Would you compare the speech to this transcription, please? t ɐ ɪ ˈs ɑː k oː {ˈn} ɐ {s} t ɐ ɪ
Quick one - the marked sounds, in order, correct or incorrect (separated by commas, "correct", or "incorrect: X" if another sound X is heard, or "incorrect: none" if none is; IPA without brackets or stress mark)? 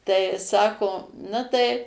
correct, incorrect: none